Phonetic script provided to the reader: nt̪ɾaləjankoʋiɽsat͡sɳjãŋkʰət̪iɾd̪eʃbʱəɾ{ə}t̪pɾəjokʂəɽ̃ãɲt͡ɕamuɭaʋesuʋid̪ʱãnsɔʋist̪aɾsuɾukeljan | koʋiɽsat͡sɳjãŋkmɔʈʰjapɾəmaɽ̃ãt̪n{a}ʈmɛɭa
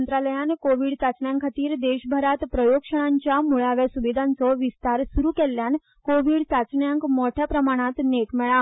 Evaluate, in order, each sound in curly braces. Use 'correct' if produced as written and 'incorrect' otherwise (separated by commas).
incorrect, incorrect